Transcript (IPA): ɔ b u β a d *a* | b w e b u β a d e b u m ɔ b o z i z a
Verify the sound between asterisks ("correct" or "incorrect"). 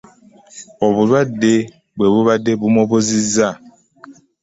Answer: incorrect